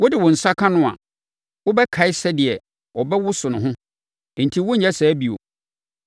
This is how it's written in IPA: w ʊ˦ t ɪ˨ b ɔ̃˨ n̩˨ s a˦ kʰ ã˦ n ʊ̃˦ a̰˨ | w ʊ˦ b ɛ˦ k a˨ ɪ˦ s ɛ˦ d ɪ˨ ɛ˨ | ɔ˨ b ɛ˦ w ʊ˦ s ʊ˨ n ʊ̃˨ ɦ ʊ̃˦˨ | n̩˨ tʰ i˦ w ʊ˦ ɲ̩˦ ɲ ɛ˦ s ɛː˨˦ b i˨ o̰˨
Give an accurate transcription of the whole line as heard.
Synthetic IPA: w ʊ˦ d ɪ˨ w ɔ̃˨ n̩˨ s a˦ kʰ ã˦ n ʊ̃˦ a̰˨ | w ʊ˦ b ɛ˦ kʰ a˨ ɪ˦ s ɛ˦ d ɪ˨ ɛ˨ | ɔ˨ b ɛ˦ w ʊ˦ s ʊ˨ n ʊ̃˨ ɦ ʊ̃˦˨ | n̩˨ tʰ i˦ w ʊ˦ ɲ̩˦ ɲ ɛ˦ s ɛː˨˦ b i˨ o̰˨